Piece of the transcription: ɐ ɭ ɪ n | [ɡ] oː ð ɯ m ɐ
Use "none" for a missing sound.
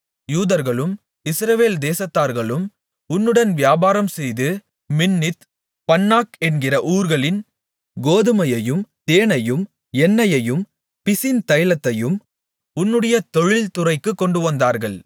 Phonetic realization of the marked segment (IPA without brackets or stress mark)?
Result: ɡ